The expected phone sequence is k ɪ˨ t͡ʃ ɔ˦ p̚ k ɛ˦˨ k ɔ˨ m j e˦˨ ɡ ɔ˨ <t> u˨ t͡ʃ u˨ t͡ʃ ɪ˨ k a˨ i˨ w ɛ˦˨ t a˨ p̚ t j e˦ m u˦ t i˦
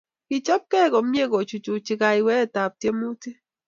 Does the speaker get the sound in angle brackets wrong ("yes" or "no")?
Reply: yes